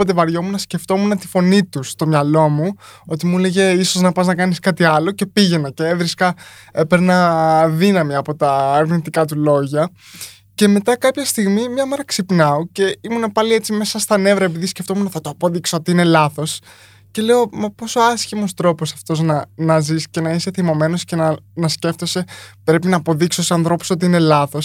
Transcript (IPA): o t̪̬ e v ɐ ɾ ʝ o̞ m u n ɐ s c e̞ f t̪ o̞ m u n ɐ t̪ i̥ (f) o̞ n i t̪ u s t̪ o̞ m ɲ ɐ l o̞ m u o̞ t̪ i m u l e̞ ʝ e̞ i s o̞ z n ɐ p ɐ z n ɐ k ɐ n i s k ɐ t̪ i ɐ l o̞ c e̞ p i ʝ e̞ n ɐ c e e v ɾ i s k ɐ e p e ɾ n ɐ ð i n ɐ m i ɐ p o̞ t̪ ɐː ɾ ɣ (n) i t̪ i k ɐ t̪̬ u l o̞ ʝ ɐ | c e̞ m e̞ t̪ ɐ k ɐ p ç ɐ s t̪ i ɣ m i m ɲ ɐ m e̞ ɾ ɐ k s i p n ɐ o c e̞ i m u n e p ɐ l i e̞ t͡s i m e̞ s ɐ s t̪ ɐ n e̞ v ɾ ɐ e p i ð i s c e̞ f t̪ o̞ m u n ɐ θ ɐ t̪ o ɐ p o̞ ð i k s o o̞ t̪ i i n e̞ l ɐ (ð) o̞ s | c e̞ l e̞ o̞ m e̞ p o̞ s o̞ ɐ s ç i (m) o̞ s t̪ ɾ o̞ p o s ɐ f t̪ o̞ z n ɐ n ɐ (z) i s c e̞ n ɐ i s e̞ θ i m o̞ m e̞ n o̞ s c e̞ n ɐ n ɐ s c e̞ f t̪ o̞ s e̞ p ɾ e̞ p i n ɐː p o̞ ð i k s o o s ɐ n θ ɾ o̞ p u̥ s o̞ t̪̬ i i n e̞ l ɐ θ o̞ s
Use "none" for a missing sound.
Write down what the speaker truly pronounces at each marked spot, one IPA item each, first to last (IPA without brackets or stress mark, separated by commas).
f, n, θ, m, z